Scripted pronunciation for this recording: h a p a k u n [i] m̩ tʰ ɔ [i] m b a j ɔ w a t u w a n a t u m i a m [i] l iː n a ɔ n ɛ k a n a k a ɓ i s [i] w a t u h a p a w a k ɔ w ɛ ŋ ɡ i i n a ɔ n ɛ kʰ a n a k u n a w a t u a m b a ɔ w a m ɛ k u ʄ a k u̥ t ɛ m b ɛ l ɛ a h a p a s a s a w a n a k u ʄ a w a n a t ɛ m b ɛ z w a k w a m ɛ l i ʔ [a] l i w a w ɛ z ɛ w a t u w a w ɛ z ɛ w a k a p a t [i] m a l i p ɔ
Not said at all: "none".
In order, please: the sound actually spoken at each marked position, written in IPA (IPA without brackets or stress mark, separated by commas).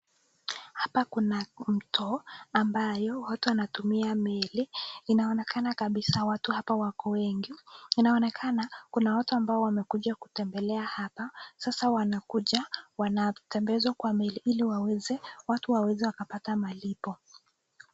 a, a, ɛ, a, i, a